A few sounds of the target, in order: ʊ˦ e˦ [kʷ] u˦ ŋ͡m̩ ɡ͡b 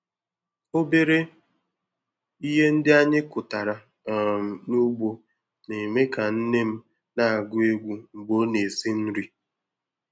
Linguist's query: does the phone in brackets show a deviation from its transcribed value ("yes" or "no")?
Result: yes